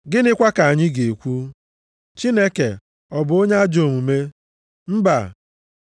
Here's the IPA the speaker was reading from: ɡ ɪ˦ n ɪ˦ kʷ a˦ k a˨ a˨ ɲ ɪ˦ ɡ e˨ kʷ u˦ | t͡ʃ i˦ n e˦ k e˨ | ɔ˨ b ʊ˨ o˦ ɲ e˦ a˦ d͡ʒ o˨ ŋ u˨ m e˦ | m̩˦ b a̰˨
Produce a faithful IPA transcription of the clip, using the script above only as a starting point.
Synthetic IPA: ɡ ɪ˦ n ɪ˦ kʷ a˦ k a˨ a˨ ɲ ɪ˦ ɡ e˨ kʷ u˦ | t͡ʃ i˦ n e˦ k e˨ | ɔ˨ b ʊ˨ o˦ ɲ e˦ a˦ d͡ʒ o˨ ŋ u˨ m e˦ | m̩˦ b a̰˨